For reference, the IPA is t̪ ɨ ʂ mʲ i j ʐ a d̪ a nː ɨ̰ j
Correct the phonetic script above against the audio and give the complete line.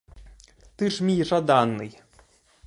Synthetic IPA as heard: t̪ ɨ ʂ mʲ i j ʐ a d̪ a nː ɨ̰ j